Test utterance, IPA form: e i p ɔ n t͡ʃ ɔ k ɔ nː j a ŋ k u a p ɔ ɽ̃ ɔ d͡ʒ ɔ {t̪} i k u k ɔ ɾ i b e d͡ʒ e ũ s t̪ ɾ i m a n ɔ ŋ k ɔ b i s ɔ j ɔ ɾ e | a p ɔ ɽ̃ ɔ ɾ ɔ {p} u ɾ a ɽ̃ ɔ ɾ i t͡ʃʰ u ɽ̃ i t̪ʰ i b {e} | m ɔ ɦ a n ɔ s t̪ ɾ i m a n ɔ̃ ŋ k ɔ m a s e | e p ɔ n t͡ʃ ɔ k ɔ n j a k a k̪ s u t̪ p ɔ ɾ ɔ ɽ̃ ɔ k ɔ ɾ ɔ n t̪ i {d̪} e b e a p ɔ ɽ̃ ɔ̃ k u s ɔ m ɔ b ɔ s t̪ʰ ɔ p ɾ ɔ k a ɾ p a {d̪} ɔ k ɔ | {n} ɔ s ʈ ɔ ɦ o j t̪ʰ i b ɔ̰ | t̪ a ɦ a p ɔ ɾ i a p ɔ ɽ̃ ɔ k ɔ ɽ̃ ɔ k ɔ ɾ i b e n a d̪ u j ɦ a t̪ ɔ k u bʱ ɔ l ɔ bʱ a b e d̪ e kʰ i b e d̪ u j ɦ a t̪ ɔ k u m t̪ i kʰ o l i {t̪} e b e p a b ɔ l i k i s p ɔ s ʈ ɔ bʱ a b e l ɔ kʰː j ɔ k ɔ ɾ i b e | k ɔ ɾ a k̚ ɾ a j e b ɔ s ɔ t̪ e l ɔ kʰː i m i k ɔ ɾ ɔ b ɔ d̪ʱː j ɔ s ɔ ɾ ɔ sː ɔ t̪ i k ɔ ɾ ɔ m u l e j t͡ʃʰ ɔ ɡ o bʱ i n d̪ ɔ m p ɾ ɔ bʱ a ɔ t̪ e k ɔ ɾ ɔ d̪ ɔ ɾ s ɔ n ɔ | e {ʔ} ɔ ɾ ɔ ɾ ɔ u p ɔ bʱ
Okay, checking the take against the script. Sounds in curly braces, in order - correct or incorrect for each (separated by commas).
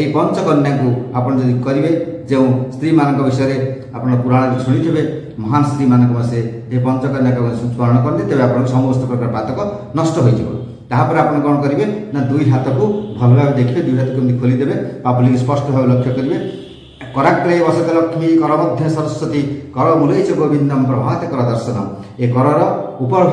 incorrect, correct, correct, incorrect, incorrect, correct, incorrect, incorrect